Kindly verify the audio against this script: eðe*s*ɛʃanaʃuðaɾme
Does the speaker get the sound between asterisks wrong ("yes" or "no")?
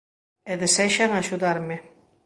no